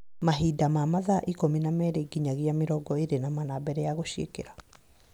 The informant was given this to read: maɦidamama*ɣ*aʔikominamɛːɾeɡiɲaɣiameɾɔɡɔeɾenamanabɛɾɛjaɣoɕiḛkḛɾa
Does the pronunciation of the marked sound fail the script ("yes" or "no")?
yes